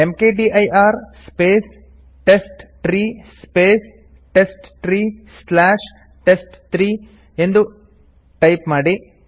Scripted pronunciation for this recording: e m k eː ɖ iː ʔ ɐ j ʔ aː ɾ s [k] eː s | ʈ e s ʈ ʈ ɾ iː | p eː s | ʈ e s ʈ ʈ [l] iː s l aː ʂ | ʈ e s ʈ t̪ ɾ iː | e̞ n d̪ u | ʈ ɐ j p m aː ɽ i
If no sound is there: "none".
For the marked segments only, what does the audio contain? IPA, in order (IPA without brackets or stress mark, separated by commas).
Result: p, ɾ